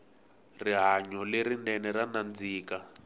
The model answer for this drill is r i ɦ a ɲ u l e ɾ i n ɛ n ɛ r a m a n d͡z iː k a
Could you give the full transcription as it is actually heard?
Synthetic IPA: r i ɦ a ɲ ɔ l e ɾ i n ɛ n ɛ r a n a n d͡z iː k a